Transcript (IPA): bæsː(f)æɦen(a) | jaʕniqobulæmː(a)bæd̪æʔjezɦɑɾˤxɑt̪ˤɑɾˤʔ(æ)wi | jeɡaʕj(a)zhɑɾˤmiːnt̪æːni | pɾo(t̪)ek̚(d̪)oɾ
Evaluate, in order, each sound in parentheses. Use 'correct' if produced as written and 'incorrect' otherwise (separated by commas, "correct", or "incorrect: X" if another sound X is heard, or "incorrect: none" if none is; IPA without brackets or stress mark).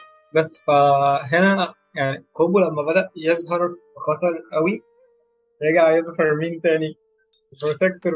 correct, incorrect: æ, incorrect: æ, correct, incorrect: e, correct, incorrect: t̪